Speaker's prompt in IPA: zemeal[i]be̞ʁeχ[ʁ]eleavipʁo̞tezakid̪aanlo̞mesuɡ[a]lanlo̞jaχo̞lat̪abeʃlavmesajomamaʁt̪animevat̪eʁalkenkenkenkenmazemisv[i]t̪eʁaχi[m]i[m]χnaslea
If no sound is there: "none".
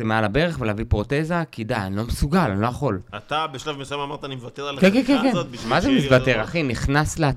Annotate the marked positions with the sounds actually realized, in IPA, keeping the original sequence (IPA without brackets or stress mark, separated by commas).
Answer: a, v, a, a, n, none